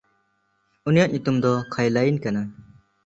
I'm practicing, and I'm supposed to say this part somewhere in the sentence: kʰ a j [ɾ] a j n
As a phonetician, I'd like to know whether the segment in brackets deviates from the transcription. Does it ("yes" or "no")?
yes